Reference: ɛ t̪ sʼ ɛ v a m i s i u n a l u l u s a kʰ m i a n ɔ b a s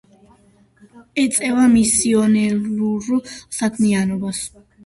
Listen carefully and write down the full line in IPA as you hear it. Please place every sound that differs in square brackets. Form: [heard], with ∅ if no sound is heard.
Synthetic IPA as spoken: ɛ t̪ sʼ ɛ v a m i s i [ɔ] n [ɛ] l u [ɾ] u s a kʰ m i a n ɔ b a s